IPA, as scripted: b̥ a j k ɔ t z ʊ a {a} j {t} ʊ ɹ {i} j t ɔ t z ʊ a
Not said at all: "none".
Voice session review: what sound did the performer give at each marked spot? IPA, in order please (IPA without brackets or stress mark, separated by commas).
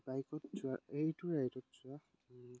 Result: e, t, a